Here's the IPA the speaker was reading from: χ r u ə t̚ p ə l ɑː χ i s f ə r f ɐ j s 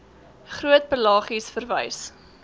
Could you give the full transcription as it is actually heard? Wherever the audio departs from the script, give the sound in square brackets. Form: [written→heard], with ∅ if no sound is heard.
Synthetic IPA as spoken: χ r u ə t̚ p ə l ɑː χ i s f ə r [f→v] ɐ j s